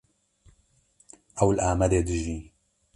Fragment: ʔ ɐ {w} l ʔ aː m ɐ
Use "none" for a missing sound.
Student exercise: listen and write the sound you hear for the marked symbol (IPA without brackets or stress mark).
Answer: w